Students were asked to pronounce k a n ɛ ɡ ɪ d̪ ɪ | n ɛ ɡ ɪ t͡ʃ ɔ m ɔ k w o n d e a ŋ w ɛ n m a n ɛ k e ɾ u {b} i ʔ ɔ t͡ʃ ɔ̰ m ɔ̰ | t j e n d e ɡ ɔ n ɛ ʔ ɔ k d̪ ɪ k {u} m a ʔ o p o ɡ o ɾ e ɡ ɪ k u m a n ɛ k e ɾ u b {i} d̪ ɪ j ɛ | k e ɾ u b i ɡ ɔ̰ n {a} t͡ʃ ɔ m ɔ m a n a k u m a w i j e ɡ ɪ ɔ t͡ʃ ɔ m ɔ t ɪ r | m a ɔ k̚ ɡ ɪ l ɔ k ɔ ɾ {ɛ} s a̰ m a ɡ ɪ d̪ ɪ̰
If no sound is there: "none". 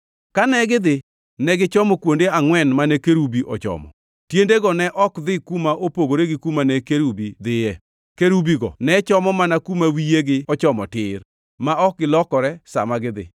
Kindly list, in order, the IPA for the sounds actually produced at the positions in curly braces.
b, u, i, ɛ, ɛ

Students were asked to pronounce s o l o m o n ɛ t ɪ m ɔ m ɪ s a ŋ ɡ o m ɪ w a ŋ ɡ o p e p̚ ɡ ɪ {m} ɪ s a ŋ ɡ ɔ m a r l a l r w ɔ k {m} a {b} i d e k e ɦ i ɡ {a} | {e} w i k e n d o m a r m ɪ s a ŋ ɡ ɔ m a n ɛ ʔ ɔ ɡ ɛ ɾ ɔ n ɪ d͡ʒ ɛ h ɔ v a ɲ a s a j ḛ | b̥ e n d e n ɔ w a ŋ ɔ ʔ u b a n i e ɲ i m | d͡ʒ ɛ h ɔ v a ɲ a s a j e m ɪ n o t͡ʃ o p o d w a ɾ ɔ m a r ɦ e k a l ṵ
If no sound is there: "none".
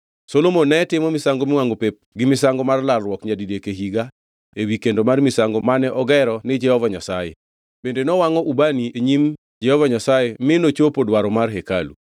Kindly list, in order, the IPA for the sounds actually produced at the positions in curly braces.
m, ɲ, d, a, e

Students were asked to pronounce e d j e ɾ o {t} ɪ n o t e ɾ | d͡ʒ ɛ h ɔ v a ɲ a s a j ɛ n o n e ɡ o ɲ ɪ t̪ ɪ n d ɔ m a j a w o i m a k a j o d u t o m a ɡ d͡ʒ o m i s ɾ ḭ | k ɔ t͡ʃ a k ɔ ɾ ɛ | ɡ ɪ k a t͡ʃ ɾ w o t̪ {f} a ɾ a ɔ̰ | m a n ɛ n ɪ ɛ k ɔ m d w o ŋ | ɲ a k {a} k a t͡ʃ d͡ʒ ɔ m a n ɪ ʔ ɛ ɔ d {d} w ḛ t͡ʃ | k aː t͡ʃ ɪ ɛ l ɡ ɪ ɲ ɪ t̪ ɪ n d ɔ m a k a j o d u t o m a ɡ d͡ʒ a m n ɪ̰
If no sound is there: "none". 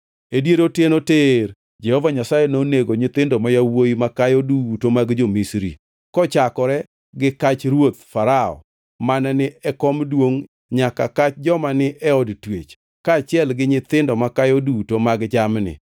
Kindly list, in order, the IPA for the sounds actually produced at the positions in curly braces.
t, f, a, t

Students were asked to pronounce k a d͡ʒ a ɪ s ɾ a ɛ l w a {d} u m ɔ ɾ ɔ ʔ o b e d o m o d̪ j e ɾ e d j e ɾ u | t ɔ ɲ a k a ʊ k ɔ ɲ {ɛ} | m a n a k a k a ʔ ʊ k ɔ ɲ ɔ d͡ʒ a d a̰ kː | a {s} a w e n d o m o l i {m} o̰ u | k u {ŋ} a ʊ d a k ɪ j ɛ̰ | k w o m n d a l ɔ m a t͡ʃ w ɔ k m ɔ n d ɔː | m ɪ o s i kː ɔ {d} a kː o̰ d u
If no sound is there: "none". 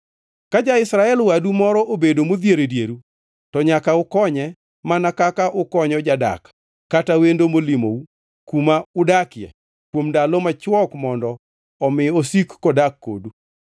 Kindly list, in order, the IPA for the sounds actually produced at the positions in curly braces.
d, ɛ, t, m, m, d

